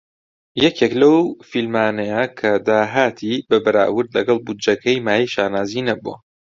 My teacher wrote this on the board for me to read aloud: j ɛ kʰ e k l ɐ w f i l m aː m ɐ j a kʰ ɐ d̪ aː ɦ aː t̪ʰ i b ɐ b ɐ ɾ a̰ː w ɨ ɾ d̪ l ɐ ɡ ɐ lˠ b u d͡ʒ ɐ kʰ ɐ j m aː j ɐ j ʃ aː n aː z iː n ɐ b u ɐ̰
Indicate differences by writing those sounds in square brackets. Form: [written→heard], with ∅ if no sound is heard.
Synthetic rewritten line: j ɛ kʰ e k l ɐ w f i l m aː [m→n] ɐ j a kʰ ɐ d̪ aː ɦ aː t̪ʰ i b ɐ b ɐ ɾ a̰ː w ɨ ɾ d̪ l ɐ ɡ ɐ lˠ b u d͡ʒ ɐ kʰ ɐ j m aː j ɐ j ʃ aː n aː z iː n ɐ b u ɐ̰